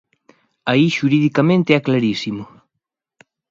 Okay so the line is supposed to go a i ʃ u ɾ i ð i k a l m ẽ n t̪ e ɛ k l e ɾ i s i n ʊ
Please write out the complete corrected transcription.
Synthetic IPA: a i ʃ u ɾ i ð i k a m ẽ n t̪ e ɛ k l a ɾ i s i m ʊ